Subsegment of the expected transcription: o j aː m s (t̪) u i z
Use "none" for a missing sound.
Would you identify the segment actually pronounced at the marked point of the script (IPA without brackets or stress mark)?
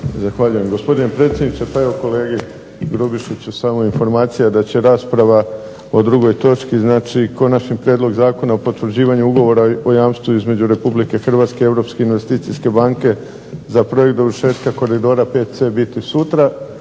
t̪